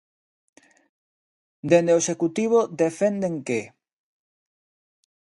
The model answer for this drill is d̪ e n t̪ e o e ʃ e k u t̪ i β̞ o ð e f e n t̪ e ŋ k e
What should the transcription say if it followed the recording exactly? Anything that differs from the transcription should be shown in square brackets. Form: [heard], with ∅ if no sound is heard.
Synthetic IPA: d̪ e n [d̪] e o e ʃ e k u t̪ i β̞ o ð e f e n [d̪] e ŋ k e